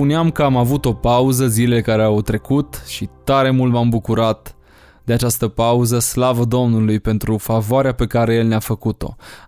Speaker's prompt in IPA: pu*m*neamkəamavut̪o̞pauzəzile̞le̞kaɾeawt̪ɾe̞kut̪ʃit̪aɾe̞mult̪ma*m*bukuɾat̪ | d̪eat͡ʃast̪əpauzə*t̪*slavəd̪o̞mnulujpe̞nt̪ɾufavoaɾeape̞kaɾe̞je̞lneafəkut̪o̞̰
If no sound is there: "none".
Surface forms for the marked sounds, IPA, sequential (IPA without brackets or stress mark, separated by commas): none, m, none